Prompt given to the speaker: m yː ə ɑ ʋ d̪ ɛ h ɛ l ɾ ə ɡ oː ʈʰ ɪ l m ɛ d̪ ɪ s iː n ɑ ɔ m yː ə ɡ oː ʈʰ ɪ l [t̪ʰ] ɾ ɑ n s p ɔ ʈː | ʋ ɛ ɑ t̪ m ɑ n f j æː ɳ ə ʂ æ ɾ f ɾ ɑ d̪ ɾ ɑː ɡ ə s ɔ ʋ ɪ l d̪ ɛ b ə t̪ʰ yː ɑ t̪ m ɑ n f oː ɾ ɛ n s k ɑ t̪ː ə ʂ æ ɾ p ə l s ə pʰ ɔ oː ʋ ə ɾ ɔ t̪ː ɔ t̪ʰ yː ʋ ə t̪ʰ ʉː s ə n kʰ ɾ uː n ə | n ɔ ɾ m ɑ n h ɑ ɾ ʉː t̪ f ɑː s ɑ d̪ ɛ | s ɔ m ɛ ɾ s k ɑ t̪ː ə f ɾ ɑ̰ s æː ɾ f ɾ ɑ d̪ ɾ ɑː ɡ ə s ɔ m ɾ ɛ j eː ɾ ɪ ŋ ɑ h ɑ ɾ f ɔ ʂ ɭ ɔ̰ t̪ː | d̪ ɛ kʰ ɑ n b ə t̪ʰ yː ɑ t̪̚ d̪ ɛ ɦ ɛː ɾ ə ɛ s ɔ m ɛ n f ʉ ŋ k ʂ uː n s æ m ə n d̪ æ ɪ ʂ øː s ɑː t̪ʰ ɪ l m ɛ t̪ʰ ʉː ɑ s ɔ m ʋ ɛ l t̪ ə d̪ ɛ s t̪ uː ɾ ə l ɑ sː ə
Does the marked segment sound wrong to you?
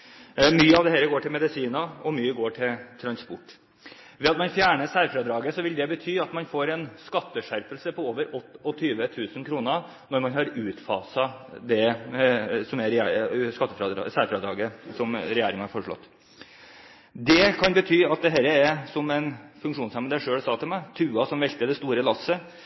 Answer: no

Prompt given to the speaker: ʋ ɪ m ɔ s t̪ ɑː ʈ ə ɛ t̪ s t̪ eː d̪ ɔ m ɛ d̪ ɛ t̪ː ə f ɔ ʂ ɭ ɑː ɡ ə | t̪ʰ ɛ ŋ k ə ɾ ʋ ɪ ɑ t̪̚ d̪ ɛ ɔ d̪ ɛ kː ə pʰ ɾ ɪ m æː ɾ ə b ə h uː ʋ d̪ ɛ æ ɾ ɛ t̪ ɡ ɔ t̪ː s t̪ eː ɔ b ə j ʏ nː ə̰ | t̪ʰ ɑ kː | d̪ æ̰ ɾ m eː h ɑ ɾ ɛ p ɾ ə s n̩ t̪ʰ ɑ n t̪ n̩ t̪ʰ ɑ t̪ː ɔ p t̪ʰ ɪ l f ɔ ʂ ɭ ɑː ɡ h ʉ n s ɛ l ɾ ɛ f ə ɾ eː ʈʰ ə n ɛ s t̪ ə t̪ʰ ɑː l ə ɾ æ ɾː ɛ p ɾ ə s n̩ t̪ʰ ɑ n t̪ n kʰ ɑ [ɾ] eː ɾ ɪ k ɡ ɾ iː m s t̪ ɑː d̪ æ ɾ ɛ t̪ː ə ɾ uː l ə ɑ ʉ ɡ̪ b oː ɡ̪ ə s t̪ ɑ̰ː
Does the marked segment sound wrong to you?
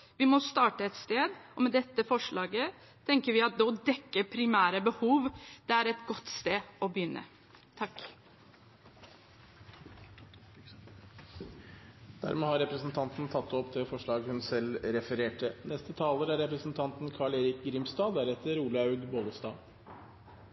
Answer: yes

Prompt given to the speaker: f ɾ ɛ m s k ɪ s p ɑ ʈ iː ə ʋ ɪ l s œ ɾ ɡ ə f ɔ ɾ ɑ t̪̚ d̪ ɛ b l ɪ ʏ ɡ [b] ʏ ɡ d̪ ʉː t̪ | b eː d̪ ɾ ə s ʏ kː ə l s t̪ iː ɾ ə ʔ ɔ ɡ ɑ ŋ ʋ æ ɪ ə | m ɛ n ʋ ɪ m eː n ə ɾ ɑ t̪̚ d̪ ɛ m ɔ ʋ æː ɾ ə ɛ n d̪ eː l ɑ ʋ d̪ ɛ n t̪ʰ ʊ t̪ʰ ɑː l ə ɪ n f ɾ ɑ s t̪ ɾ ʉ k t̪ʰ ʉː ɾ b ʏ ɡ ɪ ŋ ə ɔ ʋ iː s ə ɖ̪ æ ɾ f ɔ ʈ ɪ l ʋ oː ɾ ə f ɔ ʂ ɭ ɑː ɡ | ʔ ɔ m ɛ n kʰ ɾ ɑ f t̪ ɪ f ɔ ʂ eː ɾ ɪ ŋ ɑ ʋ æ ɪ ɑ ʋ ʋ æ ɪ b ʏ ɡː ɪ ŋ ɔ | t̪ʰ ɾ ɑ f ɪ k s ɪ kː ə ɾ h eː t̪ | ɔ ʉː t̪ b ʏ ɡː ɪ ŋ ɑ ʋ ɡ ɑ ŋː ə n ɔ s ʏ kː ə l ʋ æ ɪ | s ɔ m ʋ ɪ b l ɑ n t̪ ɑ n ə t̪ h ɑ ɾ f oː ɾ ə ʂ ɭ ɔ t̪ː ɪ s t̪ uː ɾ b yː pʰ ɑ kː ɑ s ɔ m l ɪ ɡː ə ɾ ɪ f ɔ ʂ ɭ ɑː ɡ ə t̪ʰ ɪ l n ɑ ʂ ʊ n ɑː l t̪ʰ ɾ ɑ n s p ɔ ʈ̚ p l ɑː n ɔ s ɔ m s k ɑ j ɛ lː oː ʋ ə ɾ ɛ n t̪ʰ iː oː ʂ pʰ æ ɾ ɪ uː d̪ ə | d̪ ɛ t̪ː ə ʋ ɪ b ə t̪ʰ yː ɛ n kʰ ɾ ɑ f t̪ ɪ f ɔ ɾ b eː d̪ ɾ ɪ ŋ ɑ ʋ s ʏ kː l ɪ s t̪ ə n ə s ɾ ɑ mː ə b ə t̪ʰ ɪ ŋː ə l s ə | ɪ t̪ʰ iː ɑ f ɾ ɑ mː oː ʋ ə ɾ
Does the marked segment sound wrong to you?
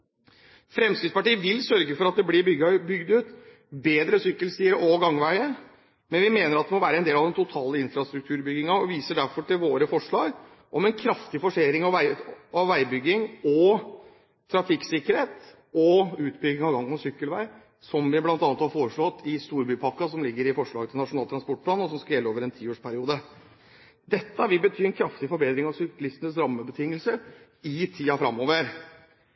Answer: no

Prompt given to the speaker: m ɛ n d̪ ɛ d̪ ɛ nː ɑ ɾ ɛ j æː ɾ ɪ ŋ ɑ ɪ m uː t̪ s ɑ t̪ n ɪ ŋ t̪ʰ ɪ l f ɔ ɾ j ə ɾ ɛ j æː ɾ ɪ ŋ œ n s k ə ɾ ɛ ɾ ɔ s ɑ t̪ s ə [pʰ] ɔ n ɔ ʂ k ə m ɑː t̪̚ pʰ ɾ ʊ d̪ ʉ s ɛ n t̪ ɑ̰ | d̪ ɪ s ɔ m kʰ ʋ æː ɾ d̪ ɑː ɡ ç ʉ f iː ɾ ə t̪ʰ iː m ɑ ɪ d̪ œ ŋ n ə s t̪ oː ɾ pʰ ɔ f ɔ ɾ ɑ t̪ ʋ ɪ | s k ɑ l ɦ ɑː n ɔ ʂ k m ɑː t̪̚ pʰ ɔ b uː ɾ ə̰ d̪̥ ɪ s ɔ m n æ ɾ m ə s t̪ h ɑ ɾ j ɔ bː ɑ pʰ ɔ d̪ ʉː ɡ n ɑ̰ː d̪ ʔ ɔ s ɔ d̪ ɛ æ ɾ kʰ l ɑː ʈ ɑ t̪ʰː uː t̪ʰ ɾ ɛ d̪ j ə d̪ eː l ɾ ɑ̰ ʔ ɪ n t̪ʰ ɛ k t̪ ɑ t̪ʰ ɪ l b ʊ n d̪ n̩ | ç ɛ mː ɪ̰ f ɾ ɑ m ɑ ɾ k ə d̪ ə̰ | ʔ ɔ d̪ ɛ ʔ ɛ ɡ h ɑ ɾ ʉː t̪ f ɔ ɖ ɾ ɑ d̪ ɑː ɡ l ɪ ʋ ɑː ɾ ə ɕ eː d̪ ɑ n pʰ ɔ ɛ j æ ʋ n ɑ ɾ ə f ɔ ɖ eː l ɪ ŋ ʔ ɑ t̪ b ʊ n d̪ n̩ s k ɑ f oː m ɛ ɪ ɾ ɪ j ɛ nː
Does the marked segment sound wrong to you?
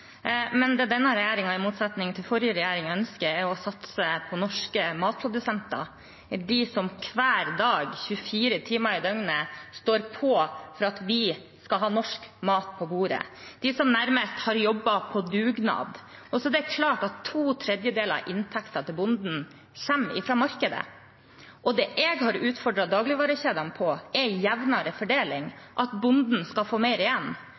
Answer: no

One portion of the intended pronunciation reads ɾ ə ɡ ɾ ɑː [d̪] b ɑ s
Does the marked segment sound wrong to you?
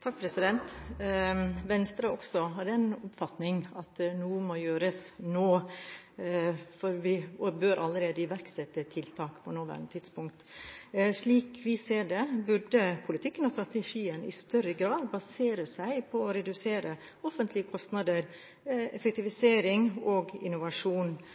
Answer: no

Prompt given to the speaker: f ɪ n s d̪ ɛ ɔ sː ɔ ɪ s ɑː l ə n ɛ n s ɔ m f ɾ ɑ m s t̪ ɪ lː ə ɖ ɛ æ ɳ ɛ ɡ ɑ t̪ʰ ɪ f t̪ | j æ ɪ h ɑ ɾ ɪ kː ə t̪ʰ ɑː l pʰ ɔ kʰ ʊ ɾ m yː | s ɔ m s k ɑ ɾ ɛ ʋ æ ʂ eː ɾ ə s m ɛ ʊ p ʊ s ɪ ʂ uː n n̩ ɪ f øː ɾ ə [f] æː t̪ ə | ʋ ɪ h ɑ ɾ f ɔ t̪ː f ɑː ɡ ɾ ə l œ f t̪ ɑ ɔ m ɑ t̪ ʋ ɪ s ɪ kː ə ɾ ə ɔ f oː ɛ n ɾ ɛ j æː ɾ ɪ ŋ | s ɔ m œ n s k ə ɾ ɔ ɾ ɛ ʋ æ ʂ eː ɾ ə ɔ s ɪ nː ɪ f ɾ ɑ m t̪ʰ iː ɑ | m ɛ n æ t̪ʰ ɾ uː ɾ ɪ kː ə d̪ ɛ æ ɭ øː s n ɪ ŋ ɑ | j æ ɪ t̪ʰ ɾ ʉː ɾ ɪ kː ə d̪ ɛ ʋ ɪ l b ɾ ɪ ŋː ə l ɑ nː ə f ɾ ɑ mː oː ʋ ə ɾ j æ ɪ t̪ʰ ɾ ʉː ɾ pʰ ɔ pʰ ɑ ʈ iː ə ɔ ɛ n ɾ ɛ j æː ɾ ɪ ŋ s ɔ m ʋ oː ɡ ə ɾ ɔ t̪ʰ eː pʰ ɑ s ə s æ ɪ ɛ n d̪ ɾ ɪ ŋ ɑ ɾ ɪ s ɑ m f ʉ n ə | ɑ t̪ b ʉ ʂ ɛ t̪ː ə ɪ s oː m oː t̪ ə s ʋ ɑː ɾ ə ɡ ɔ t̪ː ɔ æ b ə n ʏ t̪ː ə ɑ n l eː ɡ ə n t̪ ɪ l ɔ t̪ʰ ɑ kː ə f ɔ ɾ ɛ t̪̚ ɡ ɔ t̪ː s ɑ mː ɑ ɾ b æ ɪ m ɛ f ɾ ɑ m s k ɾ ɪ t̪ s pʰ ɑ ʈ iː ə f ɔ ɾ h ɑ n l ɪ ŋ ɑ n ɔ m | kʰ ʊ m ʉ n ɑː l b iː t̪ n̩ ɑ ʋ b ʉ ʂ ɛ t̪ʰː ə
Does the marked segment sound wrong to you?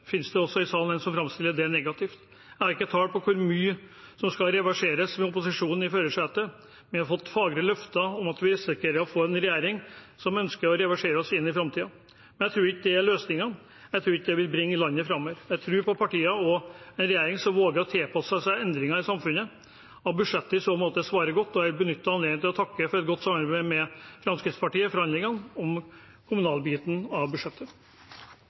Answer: yes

